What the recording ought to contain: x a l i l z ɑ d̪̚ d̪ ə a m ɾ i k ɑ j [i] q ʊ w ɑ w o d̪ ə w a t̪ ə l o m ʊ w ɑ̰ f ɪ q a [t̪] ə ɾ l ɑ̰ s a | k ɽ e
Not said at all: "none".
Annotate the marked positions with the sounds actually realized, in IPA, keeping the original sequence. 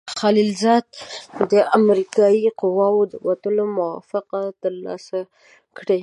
i, t̪

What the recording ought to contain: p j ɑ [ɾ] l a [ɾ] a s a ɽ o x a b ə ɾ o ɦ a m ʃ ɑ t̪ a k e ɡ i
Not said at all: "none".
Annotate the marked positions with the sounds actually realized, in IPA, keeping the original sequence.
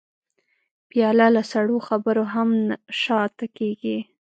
none, l

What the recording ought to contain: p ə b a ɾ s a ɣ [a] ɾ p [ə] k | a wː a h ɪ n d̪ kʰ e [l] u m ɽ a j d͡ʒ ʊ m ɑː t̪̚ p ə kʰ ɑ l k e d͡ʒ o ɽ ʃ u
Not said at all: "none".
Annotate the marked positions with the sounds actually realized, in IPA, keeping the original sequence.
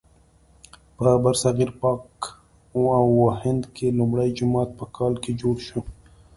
i, ɑ, l

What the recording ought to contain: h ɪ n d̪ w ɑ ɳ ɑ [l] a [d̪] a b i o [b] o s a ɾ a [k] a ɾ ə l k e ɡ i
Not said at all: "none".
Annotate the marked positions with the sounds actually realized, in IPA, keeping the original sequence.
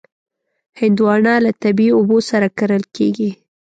l, t̪, b, k

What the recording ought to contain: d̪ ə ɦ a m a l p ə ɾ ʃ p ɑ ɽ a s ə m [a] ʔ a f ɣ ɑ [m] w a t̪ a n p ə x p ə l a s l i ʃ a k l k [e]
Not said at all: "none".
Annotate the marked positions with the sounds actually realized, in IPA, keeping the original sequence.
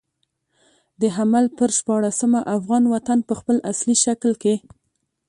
a, n, e

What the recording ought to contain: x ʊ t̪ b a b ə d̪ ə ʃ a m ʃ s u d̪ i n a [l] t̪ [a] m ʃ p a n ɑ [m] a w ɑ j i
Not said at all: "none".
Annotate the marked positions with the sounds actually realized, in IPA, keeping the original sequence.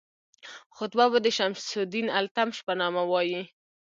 l, a, m

